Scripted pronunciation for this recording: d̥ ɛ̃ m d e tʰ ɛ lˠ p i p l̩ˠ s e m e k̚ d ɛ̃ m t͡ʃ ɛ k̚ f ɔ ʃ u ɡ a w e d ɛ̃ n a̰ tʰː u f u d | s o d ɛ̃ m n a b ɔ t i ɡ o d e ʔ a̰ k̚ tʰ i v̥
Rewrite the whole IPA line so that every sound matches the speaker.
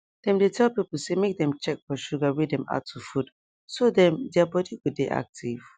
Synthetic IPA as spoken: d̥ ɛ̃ m d e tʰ ɛ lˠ p i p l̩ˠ s e m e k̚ d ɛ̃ m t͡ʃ ɛ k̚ f ɔ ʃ u ɡ a w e d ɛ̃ m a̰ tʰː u f u d | s o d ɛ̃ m d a b ɔ d i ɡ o d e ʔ a̰ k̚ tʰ i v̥